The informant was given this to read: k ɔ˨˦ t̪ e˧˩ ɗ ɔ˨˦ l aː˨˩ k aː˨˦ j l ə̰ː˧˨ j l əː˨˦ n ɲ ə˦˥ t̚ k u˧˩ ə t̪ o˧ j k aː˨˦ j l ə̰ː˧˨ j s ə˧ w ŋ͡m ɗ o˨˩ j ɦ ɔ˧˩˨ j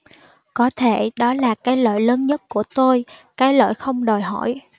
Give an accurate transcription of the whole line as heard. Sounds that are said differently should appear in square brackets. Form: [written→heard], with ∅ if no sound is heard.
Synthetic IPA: k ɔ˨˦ [t̪→t̪ʰ] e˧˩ ɗ ɔ˨˦ l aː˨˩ k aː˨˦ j l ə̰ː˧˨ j l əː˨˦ n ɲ ə˦˥ t̚ k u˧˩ ə t̪ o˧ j k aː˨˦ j l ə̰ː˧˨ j [s→x] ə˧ w ŋ͡m ɗ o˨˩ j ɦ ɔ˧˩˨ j

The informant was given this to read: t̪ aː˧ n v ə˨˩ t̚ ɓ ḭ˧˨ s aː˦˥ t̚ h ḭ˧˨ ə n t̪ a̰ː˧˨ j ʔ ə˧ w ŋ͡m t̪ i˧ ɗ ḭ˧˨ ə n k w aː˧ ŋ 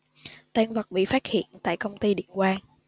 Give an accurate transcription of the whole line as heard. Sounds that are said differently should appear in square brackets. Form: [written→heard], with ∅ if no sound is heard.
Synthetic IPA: t̪ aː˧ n v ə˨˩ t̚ ɓ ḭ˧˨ [s→f] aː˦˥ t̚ h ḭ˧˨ ə n t̪ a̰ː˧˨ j [ʔ→k] ə˧ w ŋ͡m t̪ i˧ ɗ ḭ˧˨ ə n k w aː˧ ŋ

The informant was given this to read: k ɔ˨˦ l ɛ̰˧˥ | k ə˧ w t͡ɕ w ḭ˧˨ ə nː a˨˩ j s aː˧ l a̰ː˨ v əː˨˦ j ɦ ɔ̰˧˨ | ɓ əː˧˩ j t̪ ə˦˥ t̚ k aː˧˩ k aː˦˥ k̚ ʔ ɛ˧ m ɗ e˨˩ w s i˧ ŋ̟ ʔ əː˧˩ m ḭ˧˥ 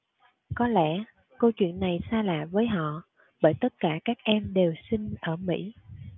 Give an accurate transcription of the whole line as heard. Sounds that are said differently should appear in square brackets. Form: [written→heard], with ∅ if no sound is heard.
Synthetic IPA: k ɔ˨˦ l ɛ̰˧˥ | k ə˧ w t͡ɕ w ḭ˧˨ ə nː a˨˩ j s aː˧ l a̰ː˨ v əː˨˦ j ɦ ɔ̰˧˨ | ɓ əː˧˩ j t̪ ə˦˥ t̚ k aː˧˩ k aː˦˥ k̚ ʔ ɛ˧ m ɗ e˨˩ w s i˧ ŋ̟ ʔ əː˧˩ m ḭ˧˥

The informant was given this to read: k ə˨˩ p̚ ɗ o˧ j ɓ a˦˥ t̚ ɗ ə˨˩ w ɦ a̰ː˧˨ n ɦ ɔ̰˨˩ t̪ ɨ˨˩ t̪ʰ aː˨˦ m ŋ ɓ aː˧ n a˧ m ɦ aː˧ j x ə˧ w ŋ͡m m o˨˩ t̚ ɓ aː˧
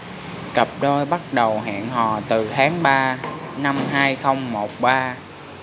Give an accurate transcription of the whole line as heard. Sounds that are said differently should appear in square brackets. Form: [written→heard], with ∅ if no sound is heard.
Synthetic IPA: k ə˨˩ p̚ ɗ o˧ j ɓ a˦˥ t̚ ɗ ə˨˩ w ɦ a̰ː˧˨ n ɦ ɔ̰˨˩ t̪ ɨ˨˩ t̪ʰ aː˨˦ [m→∅] ŋ ɓ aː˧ n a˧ m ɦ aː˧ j x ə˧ w ŋ͡m m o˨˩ t̚ ɓ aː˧

